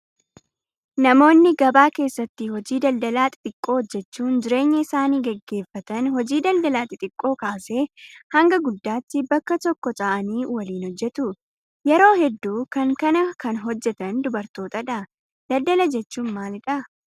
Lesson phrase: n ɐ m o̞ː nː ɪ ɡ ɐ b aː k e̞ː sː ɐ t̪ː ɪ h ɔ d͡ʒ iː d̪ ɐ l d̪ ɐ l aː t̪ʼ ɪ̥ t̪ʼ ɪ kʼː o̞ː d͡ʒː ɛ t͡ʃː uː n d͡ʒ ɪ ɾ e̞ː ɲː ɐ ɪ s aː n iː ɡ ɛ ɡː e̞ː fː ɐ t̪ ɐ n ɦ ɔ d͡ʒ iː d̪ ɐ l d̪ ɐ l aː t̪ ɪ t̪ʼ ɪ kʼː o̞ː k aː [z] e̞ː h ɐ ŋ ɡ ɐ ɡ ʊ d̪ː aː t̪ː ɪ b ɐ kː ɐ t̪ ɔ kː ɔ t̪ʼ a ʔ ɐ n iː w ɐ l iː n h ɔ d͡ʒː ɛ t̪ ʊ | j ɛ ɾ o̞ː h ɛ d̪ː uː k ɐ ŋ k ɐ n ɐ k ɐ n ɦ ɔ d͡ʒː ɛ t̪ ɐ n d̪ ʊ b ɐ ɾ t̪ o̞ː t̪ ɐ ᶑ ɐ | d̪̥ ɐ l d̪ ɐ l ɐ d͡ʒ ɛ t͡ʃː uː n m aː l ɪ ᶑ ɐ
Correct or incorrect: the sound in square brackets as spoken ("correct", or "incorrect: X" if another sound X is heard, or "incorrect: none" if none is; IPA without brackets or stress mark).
incorrect: s